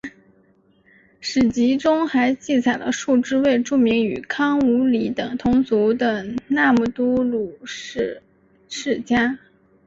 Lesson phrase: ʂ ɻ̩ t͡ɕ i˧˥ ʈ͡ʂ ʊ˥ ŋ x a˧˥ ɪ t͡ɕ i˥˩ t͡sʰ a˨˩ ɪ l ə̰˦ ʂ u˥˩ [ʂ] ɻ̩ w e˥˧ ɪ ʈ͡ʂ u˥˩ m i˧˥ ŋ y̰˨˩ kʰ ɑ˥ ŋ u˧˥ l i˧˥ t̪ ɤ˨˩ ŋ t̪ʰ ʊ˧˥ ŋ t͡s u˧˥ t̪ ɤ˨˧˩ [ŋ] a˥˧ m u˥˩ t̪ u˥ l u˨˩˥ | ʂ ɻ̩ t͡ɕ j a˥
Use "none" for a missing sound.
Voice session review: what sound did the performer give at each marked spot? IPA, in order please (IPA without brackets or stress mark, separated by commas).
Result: ʈ͡ʂ, n